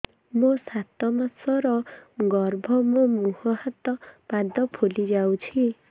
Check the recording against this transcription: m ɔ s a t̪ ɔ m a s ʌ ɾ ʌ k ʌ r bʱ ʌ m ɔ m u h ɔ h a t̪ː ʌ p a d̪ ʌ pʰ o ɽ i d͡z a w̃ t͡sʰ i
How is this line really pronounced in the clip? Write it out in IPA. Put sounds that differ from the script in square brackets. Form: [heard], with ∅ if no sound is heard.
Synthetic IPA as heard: m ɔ s a t̪ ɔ m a s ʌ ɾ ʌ [ɡ] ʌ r bʱ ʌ m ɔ m u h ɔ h a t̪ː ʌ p a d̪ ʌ pʰ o [l] i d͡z a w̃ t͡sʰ i